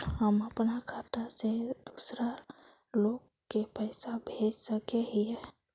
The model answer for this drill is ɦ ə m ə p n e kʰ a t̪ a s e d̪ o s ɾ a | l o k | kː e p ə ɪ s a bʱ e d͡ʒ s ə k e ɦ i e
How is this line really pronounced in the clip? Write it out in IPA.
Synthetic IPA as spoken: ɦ ə m ə p n a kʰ a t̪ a s e d̪ u s ɾ a | l o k | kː e p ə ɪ s a bʱ e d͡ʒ s ə k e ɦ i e